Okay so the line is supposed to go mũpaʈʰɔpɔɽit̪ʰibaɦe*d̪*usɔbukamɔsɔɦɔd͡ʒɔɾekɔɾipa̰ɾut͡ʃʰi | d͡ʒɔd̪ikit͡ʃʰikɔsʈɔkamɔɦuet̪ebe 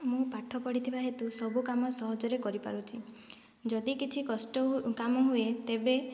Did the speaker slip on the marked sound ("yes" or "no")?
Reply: yes